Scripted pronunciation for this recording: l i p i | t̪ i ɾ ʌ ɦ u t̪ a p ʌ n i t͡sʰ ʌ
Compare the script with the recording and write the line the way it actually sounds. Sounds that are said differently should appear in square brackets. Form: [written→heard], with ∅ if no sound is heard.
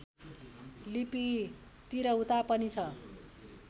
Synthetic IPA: l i p i | t̪ i ɾ ʌ ɦ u t̪ a p ʌ n i t͡sʰ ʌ